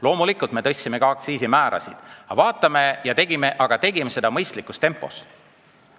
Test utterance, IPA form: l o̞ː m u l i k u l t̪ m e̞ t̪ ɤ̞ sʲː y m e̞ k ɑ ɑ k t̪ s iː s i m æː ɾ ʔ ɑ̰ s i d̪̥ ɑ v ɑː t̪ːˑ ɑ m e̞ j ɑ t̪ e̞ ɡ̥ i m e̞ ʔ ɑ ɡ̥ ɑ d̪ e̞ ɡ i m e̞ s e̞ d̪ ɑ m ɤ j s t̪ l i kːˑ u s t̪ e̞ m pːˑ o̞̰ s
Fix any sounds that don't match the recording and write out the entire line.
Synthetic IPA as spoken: l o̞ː m u l i k u l t̪ m e̞ t̪ ɤ̞ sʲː i m e̞ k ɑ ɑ k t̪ s iː s i m æː ɾ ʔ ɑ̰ s i d̪̥ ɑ v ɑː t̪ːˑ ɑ m e̞ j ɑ t̪ e̞ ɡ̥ i m e̞ ʔ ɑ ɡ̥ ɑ t̪ e̞ ɡ i m e̞ s e̞ d̪ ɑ m ɤ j s t̪ l i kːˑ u s t̪ e̞ m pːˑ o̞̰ s